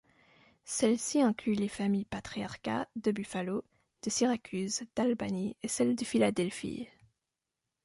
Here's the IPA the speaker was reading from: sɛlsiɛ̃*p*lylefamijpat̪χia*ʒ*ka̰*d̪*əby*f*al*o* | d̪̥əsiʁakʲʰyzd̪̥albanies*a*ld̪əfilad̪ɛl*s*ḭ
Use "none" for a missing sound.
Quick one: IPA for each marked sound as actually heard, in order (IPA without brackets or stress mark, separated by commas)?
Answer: k, ʁ, d̪, f, o, ɛ, f